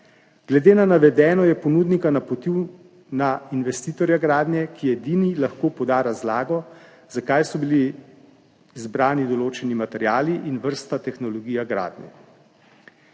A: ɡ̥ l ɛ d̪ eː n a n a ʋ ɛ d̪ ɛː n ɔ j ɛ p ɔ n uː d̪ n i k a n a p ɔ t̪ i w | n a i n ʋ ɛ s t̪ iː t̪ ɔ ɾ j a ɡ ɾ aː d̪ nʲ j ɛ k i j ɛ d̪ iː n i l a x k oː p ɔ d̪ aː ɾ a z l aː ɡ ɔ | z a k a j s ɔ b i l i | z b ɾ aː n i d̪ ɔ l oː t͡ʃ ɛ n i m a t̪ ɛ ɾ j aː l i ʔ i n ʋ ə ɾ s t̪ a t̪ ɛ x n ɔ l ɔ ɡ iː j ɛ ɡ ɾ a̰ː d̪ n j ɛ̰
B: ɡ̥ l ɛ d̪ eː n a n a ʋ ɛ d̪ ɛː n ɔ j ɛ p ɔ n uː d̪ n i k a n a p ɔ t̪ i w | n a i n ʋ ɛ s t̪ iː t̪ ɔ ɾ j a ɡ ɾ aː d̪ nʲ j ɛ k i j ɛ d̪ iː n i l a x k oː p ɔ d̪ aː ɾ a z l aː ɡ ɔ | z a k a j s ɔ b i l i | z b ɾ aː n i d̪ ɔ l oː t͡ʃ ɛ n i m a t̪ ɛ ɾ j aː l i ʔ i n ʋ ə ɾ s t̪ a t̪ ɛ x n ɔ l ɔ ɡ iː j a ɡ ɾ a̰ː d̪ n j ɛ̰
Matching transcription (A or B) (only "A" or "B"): B